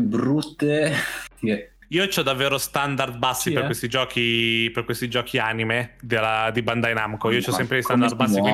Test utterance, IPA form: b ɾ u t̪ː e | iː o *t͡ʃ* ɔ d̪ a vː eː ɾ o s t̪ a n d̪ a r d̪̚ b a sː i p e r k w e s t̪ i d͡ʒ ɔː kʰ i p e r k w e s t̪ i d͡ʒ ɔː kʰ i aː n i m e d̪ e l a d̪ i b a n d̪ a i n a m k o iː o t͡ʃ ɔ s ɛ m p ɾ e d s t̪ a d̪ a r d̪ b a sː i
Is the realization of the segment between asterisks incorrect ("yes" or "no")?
no